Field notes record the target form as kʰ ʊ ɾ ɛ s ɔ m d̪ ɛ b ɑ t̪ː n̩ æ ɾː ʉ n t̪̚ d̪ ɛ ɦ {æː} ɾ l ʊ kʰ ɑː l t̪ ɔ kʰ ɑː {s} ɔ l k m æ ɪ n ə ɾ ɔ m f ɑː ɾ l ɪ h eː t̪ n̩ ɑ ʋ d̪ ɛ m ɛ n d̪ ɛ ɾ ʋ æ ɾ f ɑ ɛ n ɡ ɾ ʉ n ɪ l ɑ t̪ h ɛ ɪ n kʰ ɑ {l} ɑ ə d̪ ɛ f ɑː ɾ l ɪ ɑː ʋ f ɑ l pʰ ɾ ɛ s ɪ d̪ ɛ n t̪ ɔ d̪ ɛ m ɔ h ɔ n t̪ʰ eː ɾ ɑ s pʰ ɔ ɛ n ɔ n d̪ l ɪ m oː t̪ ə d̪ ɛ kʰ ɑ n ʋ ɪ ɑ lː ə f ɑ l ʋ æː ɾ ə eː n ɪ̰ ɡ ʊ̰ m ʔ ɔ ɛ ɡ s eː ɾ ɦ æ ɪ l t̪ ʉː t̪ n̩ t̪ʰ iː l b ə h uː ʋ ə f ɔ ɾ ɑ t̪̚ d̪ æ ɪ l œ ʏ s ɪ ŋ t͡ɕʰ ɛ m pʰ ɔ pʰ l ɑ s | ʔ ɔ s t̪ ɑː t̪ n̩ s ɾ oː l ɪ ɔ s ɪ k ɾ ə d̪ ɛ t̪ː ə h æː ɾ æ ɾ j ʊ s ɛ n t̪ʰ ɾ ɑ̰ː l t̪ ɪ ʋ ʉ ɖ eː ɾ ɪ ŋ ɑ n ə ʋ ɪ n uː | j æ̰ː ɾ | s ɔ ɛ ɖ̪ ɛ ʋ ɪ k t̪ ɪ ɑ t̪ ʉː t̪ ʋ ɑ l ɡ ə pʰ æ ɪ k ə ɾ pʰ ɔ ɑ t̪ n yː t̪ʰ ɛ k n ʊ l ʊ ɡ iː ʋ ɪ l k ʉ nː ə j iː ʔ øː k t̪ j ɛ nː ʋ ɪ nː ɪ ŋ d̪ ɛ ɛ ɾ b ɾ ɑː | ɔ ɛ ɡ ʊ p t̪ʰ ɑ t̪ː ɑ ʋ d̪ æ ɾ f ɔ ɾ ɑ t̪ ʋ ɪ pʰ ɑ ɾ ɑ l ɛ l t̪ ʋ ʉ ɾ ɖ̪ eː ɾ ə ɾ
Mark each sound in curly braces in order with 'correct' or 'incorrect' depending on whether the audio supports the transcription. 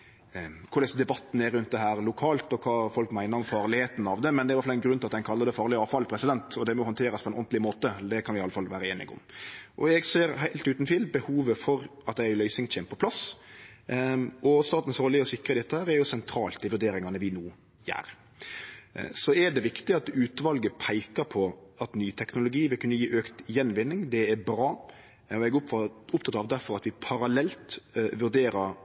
correct, incorrect, incorrect

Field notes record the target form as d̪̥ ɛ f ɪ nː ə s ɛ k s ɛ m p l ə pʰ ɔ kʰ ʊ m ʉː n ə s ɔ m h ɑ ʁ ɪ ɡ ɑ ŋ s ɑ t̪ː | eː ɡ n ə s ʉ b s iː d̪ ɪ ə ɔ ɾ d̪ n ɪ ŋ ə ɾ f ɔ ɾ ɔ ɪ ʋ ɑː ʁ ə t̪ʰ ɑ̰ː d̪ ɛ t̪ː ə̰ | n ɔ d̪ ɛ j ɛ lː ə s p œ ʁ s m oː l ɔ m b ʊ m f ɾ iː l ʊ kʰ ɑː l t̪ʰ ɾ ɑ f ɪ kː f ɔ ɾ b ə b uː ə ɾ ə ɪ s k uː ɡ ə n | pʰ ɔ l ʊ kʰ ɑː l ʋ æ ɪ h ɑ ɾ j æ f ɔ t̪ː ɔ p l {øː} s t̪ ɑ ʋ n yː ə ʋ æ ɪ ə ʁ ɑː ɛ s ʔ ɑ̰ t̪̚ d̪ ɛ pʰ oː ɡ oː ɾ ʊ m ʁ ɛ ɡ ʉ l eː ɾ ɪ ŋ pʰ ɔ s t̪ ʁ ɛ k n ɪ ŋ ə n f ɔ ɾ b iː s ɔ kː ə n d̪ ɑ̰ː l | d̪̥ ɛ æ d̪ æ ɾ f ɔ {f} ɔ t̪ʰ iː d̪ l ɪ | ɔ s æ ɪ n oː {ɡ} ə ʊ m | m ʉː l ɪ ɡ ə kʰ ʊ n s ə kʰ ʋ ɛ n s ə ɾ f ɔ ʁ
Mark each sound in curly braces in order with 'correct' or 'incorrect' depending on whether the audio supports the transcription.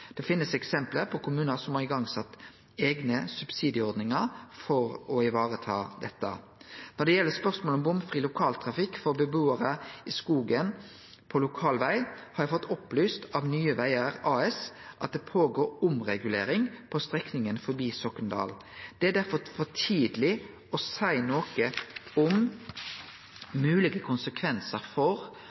incorrect, correct, incorrect

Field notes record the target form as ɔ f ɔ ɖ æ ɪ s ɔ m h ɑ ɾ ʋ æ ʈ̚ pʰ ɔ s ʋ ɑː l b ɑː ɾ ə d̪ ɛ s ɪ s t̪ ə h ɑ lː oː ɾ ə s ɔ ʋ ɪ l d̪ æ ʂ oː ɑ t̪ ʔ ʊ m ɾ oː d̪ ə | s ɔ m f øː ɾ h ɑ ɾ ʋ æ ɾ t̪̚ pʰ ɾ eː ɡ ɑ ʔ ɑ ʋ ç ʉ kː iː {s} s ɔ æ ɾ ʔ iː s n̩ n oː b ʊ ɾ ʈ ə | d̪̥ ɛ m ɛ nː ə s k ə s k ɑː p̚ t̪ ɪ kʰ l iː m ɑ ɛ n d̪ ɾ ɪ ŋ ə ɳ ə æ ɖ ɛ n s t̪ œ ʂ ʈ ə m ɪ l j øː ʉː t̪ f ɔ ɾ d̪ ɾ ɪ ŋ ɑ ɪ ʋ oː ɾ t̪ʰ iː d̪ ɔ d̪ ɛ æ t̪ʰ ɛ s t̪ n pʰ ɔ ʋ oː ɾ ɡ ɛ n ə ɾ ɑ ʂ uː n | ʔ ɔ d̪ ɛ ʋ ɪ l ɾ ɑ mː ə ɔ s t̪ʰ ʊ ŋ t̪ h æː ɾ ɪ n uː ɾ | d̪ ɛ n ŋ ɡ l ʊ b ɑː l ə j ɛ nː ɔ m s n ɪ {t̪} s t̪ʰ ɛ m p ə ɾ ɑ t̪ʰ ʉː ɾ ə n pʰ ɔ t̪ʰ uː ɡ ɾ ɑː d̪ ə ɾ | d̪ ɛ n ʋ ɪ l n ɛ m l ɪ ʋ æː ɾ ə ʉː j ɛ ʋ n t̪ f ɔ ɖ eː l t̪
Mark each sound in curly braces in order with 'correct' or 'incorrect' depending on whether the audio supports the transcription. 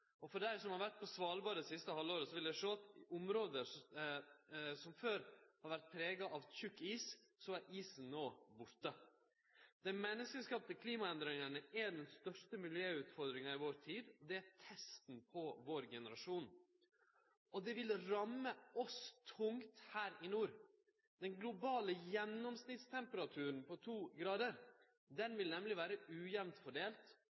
correct, correct

